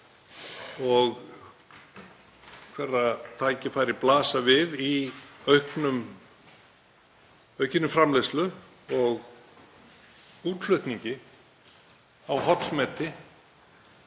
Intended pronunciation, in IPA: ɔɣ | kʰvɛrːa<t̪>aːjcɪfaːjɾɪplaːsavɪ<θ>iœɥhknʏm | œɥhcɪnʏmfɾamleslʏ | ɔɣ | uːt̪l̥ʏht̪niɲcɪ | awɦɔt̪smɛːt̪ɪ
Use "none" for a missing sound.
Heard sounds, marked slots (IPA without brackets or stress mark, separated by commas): t̪ʰ, ð